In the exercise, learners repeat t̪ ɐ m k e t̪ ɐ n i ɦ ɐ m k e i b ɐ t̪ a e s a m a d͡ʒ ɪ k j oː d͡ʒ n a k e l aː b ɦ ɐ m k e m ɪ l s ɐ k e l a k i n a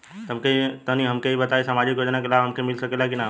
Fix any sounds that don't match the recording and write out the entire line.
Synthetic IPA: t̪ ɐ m k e t̪ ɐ n i ɦ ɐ m k e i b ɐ t̪ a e s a m a d͡ʒ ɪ k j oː d͡ʒ n a k e l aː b ɦ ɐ m k e m ɪ l s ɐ k e l a k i n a

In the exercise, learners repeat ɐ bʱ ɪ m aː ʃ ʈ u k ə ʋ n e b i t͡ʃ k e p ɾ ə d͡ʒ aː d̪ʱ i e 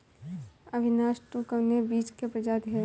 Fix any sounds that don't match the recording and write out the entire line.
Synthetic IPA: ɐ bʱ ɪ n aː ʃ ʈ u k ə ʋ n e b iː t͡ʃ k e p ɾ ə d͡ʒ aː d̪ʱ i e

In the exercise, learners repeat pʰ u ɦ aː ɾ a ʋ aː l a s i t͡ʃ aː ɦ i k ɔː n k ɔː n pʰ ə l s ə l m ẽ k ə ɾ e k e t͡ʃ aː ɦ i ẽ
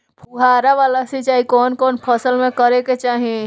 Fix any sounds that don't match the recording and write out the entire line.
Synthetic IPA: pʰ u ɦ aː ɾ a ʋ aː l a s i t͡ʃ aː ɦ i k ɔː n k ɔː n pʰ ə s ə l m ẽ k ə ɾ e k e t͡ʃ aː ɦ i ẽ

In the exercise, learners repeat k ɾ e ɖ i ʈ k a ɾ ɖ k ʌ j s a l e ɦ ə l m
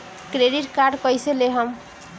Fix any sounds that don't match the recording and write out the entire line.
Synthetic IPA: k ɾ e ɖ i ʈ k a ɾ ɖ k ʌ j s e l e ɦ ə m

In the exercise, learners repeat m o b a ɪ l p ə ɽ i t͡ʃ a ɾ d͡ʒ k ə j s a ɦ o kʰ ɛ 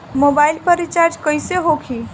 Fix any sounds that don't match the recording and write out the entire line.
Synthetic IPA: m o b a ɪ l p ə ɾ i t͡ʃ a ɾ d͡ʒ k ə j s e ɦ o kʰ i

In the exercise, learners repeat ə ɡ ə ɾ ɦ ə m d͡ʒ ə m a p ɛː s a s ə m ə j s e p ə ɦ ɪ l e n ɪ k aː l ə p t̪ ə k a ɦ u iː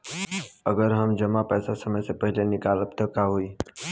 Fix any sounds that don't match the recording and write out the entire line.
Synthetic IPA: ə ɡ ə ɾ ɦ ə m d͡ʒ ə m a p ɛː s a s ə m ə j s e p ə ɦ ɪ l e n ɪ k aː l ə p t̪ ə k a ɦ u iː

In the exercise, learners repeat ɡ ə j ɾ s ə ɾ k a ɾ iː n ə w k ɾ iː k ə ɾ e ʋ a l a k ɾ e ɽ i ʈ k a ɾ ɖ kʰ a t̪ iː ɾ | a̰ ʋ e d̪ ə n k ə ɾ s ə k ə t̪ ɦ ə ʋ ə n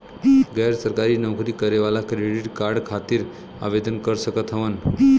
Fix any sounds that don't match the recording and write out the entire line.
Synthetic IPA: ɡ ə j ɾ s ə ɾ k a ɾ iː n ə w k ɾ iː k ə ɾ e ʋ a l a k ɾ e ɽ i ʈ k a ɾ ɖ kʰ a t̪ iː ɾ | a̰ ʋ e d̪ ə n k ə ɾ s ə k ə t̪ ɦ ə ʋ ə n

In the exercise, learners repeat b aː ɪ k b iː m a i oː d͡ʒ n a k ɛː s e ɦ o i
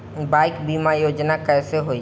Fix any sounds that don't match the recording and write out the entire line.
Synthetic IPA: b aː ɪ k b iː m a j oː d͡ʒ n a k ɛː s e ɦ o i

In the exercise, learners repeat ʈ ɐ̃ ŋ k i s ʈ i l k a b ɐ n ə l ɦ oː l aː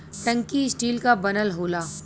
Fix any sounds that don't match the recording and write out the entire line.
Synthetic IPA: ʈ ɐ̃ ŋ k i s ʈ iː l k a b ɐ n ə l ɦ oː l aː

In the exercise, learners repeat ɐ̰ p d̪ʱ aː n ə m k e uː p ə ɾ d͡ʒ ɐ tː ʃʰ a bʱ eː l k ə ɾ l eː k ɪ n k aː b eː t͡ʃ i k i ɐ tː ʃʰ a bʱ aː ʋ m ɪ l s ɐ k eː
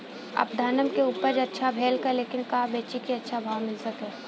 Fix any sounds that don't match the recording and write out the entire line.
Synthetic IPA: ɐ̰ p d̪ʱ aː n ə m k e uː p ə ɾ d͡ʒ ɐ tː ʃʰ a bʱ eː l k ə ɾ l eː k ɪ n k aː b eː t͡ʃ i k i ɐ tː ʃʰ a bʱ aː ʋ m ɪ l s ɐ k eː

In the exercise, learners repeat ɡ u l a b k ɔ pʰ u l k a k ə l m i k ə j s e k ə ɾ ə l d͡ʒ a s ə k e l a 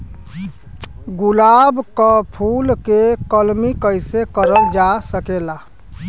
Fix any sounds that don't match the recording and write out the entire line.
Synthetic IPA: ɡ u l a b k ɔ pʰ u l k e k ə l m i k ə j s e k ə ɾ ə l d͡ʒ a s ə k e l a

